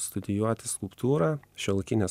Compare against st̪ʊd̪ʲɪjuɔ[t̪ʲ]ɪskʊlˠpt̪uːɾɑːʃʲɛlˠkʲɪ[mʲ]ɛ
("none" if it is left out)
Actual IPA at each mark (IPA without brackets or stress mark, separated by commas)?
t̪ʲ, nʲ